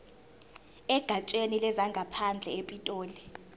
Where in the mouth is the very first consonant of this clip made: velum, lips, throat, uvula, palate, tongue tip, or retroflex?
velum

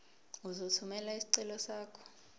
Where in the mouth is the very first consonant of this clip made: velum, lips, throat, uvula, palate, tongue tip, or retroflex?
tongue tip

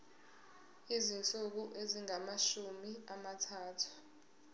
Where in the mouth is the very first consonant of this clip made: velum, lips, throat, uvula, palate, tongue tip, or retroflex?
tongue tip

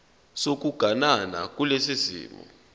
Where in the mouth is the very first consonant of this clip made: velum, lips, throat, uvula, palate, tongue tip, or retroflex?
tongue tip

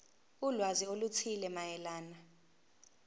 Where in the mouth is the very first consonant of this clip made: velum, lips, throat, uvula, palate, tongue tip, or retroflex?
tongue tip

